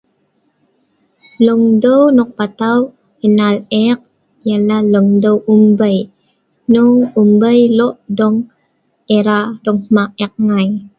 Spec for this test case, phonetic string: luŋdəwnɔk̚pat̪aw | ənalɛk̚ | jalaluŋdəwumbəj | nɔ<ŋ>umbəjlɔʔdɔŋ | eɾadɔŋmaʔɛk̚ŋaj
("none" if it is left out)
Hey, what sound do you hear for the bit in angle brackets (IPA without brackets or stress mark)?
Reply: ŋ